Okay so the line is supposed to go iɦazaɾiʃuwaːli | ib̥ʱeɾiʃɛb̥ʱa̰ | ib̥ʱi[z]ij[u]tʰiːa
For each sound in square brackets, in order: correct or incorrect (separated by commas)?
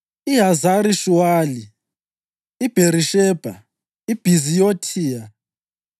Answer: correct, incorrect